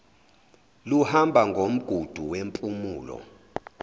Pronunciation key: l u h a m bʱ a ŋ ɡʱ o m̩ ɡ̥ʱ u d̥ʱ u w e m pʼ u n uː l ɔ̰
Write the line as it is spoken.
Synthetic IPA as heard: l u h a m bʱ a ŋ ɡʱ o m̩ ɡ̥ʱ u d̥ʱ u w e m pʼ u m uː l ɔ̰